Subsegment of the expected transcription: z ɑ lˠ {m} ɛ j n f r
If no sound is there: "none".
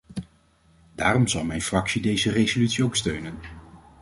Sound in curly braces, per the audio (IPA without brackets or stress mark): m